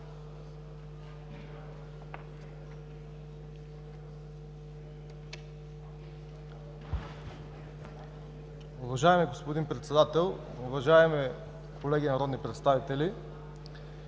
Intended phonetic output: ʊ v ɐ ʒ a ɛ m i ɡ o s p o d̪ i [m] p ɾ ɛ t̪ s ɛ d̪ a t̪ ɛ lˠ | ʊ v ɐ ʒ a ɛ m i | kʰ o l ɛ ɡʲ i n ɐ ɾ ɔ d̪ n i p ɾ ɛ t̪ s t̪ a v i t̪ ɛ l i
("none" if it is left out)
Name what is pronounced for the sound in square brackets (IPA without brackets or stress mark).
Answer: n